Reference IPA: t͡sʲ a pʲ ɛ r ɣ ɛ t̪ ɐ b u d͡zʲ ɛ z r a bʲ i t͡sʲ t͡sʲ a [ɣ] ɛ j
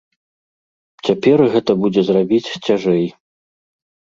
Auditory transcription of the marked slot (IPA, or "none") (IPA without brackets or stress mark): ʐ